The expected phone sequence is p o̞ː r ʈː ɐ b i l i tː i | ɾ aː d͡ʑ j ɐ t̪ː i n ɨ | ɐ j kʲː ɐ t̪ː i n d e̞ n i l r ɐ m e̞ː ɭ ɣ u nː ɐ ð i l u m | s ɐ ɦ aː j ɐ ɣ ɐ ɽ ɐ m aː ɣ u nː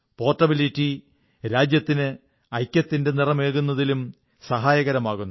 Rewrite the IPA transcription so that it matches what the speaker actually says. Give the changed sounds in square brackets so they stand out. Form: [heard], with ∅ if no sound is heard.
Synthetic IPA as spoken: p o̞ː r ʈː ɐ b i l i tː i | ɾ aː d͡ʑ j ɐ t̪ː i n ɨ | ɐ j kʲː ɐ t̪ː i n d e̞ n i [∅] r ɐ m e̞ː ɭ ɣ u nː ɐ ð i l u m | s ɐ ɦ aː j ɐ ɣ ɐ [ɾ] ɐ m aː ɣ u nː